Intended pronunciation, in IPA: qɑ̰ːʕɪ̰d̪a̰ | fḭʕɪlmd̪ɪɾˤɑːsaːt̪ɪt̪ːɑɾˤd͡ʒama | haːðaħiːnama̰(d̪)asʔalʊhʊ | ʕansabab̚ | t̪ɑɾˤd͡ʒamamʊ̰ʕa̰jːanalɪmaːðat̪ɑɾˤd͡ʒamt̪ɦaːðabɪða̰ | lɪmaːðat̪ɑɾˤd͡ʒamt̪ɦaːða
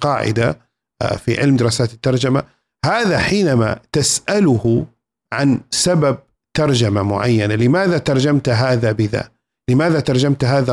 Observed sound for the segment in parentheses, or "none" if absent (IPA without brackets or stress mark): t̪